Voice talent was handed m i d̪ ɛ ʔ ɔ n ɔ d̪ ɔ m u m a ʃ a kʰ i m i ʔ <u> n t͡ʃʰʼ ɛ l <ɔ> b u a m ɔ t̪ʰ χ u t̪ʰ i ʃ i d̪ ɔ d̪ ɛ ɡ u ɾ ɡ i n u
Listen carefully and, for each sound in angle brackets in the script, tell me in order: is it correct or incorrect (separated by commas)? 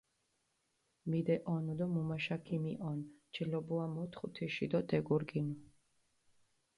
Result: incorrect, correct